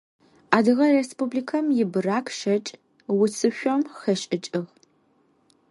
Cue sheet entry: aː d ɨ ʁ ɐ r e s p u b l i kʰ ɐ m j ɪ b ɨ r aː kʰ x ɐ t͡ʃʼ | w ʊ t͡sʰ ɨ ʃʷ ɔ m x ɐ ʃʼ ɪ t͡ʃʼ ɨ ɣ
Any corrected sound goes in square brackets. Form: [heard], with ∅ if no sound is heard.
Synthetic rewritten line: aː d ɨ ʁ ɐ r e s p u b l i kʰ ɐ m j ɪ b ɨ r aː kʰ [ʃ] ɐ t͡ʃʼ | w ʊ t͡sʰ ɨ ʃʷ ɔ m x ɐ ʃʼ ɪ t͡ʃʼ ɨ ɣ